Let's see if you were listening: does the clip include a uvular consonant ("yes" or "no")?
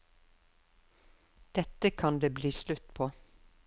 no